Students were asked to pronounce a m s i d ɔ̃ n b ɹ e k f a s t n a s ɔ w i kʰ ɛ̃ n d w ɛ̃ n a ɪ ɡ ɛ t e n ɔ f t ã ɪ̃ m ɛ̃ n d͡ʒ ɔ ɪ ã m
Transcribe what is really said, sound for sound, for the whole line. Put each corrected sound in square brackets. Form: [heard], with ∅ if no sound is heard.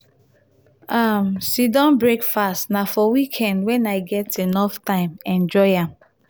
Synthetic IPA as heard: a m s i d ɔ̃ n b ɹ e k f a s t n a [f] ɔ w i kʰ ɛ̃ n d w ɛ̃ n a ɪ ɡ ɛ t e n ɔ f t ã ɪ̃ m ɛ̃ n d͡ʒ ɔ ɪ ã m